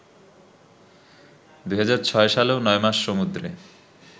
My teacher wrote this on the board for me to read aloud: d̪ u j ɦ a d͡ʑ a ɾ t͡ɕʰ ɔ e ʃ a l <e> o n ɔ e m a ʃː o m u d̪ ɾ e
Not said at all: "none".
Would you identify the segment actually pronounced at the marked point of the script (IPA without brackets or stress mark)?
e